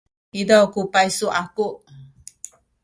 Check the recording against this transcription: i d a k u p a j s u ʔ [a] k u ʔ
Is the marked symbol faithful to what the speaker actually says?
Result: yes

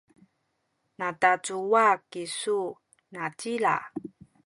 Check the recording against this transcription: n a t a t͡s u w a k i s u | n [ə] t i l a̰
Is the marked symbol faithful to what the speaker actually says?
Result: no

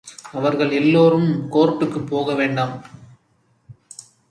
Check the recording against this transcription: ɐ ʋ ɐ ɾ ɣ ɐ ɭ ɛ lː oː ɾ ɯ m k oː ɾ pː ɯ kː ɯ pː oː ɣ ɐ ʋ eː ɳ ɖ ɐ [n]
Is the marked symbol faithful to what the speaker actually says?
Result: no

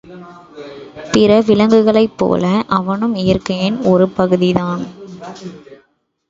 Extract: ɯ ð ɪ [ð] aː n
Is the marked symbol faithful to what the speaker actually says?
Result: yes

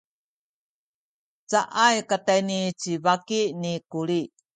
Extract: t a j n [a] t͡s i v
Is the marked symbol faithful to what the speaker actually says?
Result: no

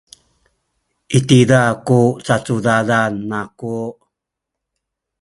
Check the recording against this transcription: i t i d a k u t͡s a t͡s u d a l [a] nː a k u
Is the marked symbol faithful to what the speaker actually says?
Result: yes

